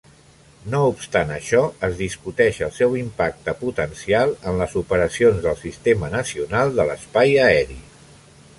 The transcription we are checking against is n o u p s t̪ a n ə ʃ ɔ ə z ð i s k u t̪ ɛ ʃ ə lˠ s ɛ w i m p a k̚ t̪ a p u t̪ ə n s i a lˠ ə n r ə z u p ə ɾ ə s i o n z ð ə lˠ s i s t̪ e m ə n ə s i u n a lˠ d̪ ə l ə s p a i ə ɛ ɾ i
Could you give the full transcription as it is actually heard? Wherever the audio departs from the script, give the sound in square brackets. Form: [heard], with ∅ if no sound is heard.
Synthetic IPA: n o u p s t̪ a n ə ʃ ɔ ə z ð i s k u t̪ ɛ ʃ ə lˠ s ɛ w i m p a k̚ t̪ [ə] p u t̪ ə n s i a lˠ ə n [l] ə z u p ə ɾ ə s i o n z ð ə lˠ s i s t̪ e m ə n ə s i u n a lˠ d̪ ə l ə s p a [j] ə ɛ ɾ i